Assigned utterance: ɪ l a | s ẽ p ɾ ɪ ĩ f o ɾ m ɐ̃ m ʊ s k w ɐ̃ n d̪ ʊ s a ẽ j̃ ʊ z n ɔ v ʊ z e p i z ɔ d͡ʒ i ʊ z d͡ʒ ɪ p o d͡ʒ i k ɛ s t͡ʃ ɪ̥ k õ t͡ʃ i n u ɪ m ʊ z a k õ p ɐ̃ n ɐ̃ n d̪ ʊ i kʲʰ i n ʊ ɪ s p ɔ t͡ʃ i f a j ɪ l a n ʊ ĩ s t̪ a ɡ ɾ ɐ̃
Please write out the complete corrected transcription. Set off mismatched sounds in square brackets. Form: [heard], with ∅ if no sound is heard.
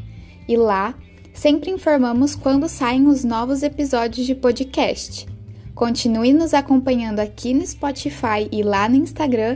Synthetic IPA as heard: ɪ l a | s ẽ p ɾ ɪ ĩ f o ɾ m ɐ̃ m ʊ s k w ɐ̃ n d̪ ʊ s a ẽ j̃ ʊ z n ɔ v ʊ z e p i z ɔ d͡ʒ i ʊ z d͡ʒ ɪ p o d͡ʒ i k ɛ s t͡ʃ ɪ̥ k õ t͡ʃ i n u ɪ [n] ʊ z a k õ p ɐ̃ [ɲ] ɐ̃ n d̪ ʊ [a] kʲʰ i n ʊ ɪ s p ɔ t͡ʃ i f a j ɪ l a n ʊ ĩ s t̪ a ɡ ɾ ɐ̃